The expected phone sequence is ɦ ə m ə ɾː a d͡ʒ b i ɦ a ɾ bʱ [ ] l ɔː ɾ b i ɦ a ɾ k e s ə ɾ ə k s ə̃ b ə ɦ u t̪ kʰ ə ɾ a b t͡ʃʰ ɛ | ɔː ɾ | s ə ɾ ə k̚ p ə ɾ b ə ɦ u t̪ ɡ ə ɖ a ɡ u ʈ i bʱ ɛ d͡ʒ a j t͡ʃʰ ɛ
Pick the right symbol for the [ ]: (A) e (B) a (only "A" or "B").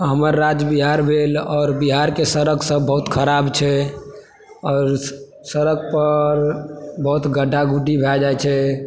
A